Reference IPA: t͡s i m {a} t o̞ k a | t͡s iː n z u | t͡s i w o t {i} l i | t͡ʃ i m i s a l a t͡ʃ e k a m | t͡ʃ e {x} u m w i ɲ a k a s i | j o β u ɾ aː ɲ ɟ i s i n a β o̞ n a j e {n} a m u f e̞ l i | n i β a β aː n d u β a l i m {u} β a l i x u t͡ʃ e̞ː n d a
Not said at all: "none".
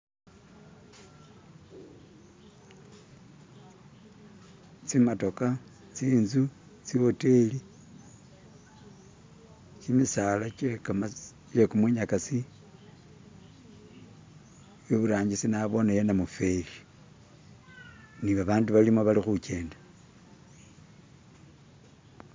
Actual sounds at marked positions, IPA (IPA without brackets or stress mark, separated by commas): a, e, k, n, o